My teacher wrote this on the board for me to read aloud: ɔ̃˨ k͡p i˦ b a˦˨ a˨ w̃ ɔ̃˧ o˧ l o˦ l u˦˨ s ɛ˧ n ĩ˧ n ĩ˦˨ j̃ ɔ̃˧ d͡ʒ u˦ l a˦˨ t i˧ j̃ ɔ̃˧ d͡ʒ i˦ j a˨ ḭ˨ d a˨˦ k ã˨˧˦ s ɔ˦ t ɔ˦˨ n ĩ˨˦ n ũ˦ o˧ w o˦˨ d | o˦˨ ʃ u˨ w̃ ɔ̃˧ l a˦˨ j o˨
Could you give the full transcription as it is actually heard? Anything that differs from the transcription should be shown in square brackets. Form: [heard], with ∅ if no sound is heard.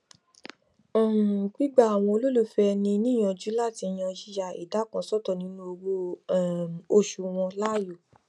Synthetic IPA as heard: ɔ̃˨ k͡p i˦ [ɡ͡b] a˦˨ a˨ w̃ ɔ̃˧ o˧ l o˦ l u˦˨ [f] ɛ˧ n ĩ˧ n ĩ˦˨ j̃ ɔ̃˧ d͡ʒ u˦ l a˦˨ t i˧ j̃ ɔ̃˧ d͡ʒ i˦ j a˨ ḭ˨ d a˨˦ k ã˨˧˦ s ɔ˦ t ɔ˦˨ n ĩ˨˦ n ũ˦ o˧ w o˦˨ [∅] | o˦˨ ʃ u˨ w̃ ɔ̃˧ l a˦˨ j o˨